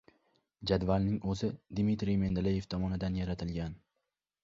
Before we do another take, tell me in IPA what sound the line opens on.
d͡ʒ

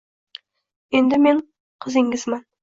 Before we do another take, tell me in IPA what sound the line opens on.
e̞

